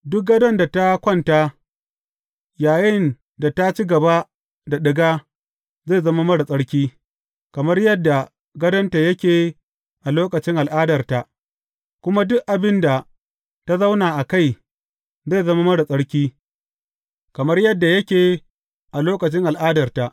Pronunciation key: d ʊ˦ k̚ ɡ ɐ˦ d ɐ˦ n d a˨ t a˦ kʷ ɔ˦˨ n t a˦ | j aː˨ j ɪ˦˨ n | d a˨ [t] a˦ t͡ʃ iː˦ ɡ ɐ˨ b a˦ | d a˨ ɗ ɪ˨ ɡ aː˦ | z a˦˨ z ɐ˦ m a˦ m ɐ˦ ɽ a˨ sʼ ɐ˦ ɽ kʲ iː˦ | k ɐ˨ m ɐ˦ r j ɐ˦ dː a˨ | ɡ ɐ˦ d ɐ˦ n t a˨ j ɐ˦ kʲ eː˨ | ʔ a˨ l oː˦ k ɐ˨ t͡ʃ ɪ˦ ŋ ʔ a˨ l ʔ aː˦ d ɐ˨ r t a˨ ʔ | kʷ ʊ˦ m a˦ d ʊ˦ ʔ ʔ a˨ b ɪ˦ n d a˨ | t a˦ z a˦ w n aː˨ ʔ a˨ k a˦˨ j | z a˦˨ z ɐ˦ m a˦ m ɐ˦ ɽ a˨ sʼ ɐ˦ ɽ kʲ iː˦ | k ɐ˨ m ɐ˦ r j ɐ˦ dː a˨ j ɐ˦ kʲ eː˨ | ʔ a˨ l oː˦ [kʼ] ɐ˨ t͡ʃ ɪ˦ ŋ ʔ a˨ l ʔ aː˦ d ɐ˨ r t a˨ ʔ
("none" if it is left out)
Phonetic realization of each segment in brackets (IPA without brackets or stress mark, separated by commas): t, k